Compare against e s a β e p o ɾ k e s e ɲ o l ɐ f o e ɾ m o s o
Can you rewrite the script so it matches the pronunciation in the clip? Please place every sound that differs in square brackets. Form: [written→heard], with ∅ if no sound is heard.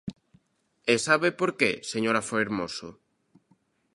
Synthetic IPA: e s a β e p o ɾ k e s e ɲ o [l→ɾ] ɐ f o e ɾ m o s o